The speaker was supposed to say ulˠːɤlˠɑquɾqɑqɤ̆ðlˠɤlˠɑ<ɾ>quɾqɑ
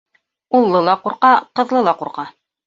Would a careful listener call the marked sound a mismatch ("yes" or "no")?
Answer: yes